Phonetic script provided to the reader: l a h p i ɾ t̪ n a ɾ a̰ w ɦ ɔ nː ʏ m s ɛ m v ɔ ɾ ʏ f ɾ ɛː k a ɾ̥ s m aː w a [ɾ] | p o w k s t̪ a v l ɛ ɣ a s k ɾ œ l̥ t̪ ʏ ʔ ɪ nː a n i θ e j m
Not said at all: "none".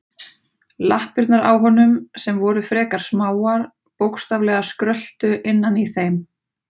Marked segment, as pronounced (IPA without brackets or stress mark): ɾ